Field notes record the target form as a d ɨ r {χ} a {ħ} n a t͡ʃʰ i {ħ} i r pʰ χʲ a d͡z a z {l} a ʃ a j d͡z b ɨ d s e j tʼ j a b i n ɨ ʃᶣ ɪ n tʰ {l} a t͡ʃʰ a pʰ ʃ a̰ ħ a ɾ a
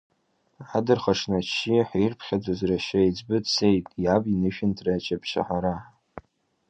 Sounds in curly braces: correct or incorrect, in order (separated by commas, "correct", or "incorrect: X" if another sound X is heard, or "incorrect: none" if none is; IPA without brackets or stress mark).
correct, incorrect: ʂ, correct, incorrect: r, incorrect: r